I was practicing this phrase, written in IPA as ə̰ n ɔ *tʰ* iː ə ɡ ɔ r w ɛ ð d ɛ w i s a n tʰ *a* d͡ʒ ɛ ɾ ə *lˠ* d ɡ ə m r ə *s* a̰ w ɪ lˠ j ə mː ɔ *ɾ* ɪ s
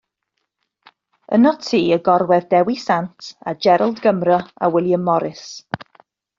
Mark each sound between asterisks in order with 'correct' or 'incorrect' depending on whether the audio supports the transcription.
correct, correct, correct, incorrect, correct

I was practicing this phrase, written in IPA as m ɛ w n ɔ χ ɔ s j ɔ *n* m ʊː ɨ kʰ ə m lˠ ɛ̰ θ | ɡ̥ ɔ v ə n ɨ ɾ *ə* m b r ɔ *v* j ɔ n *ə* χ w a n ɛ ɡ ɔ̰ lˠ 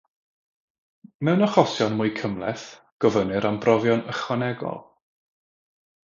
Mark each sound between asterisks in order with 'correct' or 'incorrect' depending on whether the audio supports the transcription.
correct, incorrect, correct, correct

